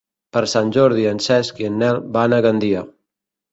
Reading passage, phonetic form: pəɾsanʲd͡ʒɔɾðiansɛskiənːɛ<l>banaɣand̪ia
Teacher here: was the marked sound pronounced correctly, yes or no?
yes